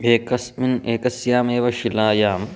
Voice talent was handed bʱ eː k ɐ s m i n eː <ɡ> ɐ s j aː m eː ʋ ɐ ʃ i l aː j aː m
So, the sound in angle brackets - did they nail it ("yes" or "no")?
no